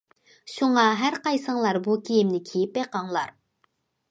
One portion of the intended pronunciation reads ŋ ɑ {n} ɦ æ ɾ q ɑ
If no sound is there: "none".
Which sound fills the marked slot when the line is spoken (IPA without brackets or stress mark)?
none